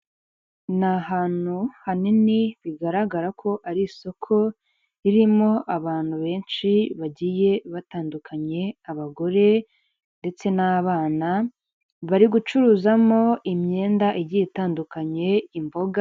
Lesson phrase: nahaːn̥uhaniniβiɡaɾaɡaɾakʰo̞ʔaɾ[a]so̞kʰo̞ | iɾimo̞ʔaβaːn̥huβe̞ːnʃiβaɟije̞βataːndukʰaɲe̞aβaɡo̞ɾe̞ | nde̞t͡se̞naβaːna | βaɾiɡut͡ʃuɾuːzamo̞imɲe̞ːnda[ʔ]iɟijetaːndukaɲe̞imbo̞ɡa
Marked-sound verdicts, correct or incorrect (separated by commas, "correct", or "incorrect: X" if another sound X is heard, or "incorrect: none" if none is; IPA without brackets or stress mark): incorrect: i, correct